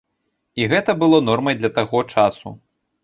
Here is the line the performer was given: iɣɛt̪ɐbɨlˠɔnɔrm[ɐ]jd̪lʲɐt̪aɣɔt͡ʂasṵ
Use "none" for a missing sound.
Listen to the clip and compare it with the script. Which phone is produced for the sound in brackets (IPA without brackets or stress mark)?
ɐ